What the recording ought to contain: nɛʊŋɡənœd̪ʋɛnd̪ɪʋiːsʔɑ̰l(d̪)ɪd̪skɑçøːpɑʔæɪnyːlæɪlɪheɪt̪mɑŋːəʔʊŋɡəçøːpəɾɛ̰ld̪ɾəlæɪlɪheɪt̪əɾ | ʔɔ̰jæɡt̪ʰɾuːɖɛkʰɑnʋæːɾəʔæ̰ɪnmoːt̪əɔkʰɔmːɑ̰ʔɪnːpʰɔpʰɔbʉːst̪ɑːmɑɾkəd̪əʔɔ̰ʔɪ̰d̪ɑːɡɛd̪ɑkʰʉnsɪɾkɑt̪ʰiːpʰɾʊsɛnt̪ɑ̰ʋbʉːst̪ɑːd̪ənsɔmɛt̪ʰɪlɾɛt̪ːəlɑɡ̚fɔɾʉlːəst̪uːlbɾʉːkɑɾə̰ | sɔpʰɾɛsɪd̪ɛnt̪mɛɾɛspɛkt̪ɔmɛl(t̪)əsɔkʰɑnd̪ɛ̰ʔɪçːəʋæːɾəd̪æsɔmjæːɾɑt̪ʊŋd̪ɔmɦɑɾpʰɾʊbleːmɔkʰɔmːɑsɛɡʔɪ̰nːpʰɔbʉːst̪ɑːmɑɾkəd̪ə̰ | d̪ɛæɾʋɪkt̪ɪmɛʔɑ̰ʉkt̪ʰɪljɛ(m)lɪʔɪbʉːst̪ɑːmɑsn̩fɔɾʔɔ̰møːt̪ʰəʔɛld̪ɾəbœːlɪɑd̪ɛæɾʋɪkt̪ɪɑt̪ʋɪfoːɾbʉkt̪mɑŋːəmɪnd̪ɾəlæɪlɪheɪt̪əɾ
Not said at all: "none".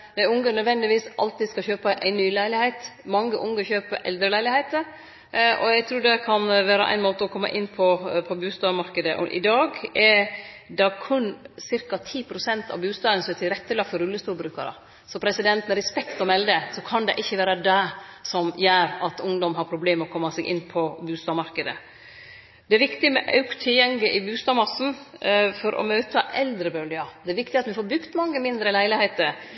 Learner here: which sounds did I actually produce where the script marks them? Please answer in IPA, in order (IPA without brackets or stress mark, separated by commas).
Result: t̪, d̪, ŋ